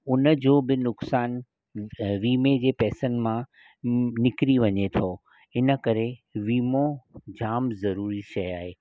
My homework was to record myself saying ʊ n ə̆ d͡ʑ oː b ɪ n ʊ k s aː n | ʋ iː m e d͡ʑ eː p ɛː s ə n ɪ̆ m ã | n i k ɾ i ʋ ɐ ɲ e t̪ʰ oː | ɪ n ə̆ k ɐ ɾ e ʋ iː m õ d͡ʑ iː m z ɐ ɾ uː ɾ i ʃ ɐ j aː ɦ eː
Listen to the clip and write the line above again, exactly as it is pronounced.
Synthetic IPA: ʊ n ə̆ d͡ʑ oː b ɪ n ʊ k s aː n | ʋ iː m e d͡ʑ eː p ɛː s ə n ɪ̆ m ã | n ɪ k ɾ i ʋ ɐ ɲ e t̪ʰ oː | ɪ n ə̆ k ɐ ɾ e ʋ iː m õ d͡ʑ aː m z ɐ ɾ uː ɾ i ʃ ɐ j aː ɦ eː